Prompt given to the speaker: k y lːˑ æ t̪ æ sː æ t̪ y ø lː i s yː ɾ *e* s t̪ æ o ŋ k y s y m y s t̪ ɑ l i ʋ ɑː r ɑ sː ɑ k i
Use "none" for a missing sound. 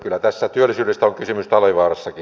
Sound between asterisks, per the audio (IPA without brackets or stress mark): e